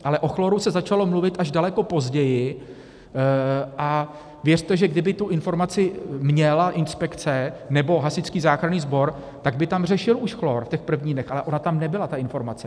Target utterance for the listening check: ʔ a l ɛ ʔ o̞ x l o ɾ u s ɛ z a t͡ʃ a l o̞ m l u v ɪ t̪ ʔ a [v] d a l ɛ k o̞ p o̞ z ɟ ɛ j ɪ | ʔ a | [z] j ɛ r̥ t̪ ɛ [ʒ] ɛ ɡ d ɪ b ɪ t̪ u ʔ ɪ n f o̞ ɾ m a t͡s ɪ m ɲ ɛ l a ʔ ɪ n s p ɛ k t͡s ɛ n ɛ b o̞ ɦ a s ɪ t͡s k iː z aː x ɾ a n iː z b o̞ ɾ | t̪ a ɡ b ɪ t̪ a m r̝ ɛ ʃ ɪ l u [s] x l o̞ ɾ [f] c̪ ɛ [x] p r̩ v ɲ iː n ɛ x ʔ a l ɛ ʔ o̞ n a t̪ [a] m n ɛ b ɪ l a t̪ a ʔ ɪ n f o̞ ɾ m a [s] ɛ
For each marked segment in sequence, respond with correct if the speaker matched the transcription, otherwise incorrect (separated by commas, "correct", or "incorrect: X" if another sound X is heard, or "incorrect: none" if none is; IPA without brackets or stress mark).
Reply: incorrect: ʒ, incorrect: v, correct, incorrect: ʃ, correct, correct, correct, incorrect: t͡s